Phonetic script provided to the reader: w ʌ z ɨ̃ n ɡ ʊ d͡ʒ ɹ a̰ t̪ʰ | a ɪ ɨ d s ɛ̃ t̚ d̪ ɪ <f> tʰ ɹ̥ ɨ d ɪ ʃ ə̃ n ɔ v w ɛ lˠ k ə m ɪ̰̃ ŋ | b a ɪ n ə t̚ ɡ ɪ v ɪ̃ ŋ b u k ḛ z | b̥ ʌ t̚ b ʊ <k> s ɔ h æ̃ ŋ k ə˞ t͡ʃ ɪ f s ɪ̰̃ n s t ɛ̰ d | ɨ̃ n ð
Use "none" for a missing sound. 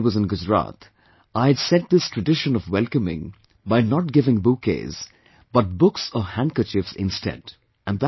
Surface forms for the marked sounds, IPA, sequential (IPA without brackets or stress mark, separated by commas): s, k